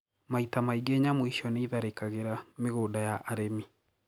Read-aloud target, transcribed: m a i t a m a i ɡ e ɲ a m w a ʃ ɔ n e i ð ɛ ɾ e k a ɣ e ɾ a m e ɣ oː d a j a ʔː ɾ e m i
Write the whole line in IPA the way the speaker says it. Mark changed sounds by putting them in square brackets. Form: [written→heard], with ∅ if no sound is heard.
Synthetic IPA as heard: m a i t a m a i ɡ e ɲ a m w [a→i] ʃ ɔ n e i ð [ɛ→a] ɾ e k a ɣ e ɾ a m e ɣ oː d a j a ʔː ɾ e m i